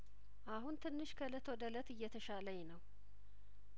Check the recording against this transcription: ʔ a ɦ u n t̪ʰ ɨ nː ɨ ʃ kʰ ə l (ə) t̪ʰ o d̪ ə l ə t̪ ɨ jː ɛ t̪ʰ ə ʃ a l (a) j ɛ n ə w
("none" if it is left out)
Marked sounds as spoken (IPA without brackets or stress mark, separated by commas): ə, ə